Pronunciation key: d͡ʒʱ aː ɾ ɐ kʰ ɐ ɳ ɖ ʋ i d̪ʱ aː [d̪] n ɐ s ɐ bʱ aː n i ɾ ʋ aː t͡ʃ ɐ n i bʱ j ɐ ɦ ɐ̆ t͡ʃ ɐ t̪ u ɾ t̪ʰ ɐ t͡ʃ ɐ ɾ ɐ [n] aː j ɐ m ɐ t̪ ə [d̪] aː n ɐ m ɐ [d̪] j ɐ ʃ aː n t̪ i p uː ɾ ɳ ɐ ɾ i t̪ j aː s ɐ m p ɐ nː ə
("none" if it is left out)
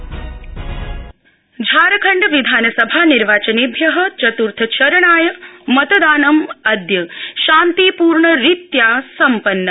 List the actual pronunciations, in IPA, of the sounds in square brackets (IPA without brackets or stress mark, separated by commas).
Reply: none, ɳ, d̪, d̪